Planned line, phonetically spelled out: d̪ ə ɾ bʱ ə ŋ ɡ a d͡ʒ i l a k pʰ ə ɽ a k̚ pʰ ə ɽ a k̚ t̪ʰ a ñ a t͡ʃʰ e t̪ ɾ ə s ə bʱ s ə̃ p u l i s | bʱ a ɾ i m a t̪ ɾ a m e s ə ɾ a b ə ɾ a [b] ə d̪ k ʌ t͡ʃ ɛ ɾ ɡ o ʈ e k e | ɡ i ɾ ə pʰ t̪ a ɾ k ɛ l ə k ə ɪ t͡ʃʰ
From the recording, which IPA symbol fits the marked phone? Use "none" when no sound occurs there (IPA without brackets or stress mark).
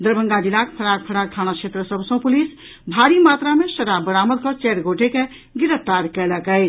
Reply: m